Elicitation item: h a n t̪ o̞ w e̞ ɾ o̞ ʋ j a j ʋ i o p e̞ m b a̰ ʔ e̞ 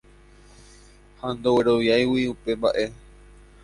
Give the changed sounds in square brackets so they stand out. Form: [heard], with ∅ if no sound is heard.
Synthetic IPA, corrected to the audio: h a n [d̪] o̞ w e̞ ɾ o̞ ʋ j a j [w] i [u] p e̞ m b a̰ ʔ e̞